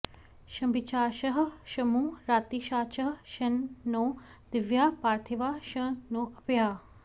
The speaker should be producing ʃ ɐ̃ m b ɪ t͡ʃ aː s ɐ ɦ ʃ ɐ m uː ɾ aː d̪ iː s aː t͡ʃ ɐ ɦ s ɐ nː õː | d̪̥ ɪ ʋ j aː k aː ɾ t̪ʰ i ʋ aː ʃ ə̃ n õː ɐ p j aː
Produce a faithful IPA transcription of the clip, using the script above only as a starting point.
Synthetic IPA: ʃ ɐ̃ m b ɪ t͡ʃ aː ʃ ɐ ɦ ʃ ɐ m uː ɾ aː t̪ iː ʃ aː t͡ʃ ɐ ɦ ʃ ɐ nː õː | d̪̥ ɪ ʋ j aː p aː ɾ t̪ʰ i ʋ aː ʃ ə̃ n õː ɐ p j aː